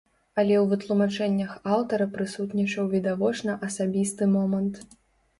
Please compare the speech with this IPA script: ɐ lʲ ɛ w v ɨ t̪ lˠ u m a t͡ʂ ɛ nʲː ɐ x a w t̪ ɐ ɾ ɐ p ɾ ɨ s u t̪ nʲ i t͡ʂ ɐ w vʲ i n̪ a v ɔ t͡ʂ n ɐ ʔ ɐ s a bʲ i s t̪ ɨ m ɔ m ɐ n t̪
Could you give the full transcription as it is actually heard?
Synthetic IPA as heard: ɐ lʲ ɛ w v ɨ t̪ lˠ u m a t͡ʂ ɛ nʲː ɐ x a w t̪ ɐ ɾ ɐ p ɾ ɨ s u t̪ nʲ i t͡ʂ ɐ w vʲ i d̪ a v ɔ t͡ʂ n ɐ ʔ ɐ s a bʲ i s t̪ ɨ m ɔ m ɐ n t̪

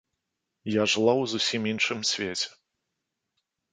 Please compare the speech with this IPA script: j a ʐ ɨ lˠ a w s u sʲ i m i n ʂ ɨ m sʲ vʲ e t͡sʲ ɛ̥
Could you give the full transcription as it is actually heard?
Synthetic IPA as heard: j a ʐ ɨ lˠ a w z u sʲ i m i n ʂ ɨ m sʲ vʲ e t͡sʲ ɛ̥

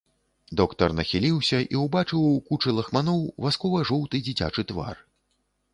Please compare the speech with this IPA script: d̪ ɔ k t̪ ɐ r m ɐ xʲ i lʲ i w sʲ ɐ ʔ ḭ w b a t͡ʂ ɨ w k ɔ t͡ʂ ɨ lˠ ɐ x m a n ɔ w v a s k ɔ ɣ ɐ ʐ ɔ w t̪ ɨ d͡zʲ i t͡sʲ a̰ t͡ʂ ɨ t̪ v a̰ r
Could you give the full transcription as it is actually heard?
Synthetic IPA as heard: d̪ ɔ k t̪ ɐ r n ɐ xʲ i lʲ i w sʲ ɐ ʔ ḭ w b a t͡ʂ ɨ w k u t͡ʂ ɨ lˠ ɐ x m a n ɔ w v a s k ɔ v ɐ ʐ ɔ w t̪ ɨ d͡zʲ i t͡sʲ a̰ t͡ʂ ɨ t̪ v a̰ r

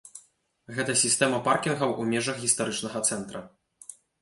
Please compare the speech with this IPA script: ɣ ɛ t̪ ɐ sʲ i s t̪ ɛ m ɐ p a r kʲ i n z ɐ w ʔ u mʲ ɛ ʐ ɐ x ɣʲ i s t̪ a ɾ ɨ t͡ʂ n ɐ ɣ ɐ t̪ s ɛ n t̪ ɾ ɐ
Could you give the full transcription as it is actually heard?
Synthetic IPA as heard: ɣ ɛ t̪ ɐ sʲ i s t̪ ɛ m ɐ p a r kʲ i n ɣ ɐ w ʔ u mʲ ɛ ʐ ɐ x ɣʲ i s t̪ a ɾ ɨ t͡ʂ n ɐ ɣ ɐ t̪ s ɛ n t̪ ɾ ɐ

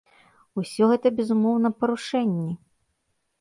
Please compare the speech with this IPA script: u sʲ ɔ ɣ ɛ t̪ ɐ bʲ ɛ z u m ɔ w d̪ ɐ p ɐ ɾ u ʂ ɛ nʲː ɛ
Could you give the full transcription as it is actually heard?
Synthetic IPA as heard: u sʲ ɔ ɣ ɛ t̪ ɐ bʲ ɛ z u m ɔ w n̪ ɐ p ɐ ɾ u ʂ ɛ nʲː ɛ

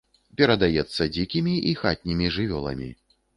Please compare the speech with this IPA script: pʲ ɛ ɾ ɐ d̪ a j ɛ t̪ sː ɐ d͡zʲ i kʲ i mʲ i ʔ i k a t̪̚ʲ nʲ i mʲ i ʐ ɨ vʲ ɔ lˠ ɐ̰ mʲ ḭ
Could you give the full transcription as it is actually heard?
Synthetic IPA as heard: pʲ ɛ ɾ ɐ d̪ a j ɛ t̪ sː ɐ d͡zʲ i kʲ i mʲ i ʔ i x a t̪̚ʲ nʲ i mʲ i ʐ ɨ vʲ ɔ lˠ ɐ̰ mʲ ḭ

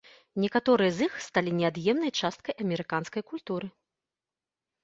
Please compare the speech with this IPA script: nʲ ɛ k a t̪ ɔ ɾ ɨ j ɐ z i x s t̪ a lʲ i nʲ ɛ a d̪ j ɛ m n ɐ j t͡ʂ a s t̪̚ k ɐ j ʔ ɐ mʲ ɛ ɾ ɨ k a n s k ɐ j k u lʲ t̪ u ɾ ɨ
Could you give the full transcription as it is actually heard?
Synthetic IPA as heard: nʲ ɛ k a t̪ ɔ ɾ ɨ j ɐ z i x s t̪ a lʲ i nʲ ɛ a d̪ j ɛ m n ɐ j t͡ʂ a s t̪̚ k ɐ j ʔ ɐ mʲ ɛ ɾ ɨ k a n s k ɐ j k u lʲ t̪ u ɾ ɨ

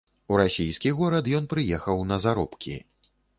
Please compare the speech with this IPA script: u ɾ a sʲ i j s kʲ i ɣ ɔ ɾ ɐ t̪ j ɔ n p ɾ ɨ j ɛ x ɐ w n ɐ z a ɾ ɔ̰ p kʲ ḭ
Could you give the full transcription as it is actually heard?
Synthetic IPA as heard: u ɾ a sʲ i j s kʲ i ɣ ɔ ɾ ɐ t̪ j ɔ n p ɾ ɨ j ɛ x ɐ w n ɐ z a ɾ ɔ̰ p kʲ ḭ

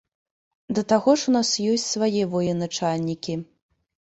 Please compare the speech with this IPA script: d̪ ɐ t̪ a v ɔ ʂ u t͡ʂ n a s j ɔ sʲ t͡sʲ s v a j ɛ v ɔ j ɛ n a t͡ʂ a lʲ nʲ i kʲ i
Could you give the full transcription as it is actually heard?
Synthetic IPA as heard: d̪ ɐ t̪ a ɣ ɔ ʂ u n a s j ɔ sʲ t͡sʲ s v a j ɛ v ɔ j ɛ n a t͡ʂ a lʲ nʲ i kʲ i

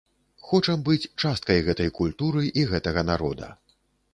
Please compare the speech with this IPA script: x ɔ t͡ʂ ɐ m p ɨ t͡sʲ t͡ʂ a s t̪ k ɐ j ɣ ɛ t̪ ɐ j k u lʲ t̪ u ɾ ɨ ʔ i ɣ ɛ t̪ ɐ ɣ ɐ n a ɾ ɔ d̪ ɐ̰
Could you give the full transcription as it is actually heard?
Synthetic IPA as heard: x ɔ t͡ʂ ɐ m b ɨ t͡sʲ t͡ʂ a s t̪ k ɐ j ɣ ɛ t̪ ɐ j k u lʲ t̪ u ɾ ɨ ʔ i ɣ ɛ t̪ ɐ ɣ ɐ n a ɾ ɔ d̪ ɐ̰

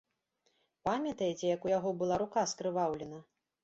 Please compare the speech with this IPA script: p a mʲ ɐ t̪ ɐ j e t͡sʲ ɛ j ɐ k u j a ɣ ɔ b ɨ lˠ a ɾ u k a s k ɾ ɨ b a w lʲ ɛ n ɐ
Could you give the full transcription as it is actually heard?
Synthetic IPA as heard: p a mʲ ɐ t̪ ɐ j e t͡sʲ ɛ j ɐ k u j a ɣ ɔ b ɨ lˠ a ɾ u k a s k ɾ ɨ v a w lʲ ɛ n ɐ

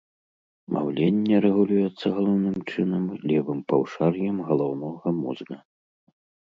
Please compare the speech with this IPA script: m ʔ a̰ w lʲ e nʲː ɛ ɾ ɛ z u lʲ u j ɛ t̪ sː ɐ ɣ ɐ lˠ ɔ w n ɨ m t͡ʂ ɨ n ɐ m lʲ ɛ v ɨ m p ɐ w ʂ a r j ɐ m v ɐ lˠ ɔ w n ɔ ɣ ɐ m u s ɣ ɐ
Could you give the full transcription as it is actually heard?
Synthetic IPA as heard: m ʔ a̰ w lʲ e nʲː ɛ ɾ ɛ ɣ u lʲ u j ɛ t̪ sː ɐ ɣ ɐ lˠ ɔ w n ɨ m t͡ʂ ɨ n ɐ m lʲ ɛ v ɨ m p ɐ w ʂ a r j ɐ m ɣ ɐ lˠ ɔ w n ɔ ɣ ɐ m u z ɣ ɐ

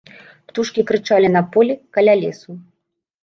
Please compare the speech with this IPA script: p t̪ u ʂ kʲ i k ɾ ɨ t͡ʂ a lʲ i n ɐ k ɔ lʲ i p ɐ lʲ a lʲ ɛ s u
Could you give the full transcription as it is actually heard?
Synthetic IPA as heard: p t̪ u ʂ kʲ i k ɾ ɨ t͡ʂ a lʲ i n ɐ p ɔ lʲ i k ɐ lʲ a lʲ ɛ s u

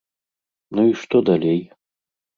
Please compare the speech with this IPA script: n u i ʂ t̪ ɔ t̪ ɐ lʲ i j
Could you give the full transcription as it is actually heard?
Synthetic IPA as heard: n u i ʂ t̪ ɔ d̪ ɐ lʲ e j

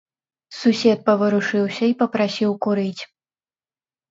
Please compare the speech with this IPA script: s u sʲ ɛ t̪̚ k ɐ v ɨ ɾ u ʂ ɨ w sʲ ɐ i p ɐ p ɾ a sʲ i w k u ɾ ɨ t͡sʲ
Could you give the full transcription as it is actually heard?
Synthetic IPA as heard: s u sʲ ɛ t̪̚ p ɐ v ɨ ɾ u ʂ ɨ w sʲ ɐ i p ɐ p ɾ a sʲ i w k u ɾ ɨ t͡sʲ

